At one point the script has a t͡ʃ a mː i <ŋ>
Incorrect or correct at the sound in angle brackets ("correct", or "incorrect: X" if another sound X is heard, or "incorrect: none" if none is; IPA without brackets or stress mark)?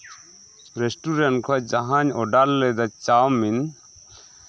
incorrect: n